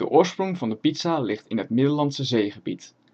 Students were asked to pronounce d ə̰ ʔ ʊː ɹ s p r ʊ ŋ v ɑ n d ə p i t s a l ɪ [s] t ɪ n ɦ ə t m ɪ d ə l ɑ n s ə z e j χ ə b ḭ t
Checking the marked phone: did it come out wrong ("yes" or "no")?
yes